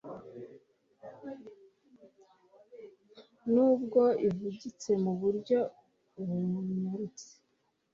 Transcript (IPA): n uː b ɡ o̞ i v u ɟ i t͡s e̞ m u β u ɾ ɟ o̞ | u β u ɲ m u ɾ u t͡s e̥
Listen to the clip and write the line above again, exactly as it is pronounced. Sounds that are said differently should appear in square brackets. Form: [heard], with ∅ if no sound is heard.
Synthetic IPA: n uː b ɡ o̞ i v u ɟ i t͡s e̞ m u β u ɾ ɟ o̞ | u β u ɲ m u ɾ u t͡s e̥